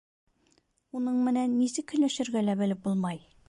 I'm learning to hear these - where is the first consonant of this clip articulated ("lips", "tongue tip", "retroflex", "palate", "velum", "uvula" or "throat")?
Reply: tongue tip